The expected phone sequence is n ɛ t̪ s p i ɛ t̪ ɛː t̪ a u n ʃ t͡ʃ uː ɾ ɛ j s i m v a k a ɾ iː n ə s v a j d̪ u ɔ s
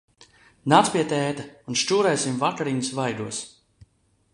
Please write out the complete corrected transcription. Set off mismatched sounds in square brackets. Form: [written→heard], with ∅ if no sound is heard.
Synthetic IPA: n [ɛ→a] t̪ s p i ɛ t̪ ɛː t̪ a u n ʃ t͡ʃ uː ɾ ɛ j s i m v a k a ɾ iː n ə s v a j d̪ u ɔ s